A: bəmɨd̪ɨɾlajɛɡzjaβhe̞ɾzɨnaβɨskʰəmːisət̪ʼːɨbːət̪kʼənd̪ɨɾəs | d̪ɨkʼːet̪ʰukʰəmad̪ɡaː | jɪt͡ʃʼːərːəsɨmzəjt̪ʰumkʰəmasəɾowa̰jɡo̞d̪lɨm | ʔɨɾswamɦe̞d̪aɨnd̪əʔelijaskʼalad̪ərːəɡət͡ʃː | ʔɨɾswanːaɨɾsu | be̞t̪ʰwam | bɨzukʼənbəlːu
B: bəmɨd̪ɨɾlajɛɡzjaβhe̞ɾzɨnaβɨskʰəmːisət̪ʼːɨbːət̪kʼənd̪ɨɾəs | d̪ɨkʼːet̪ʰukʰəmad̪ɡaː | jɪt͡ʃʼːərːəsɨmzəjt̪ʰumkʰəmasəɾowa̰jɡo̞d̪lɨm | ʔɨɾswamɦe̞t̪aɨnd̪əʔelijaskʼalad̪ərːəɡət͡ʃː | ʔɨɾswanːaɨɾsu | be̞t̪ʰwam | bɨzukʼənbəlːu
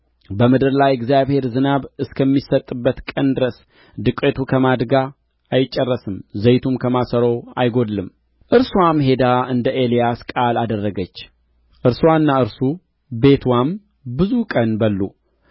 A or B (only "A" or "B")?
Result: A